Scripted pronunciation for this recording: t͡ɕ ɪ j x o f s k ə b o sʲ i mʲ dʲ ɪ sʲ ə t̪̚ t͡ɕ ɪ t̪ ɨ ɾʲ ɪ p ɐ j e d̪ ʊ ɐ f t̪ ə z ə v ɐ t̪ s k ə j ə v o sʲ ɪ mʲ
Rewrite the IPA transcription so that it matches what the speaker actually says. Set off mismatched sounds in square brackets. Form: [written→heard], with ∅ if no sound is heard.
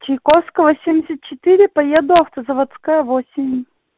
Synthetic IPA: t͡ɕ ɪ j [x→k] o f s k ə [b→v] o sʲ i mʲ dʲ ɪ sʲ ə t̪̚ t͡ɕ ɪ t̪ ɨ ɾʲ ɪ p ɐ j e d̪ ʊ ɐ f t̪ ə z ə v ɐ t̪ s k [ə→a] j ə v o sʲ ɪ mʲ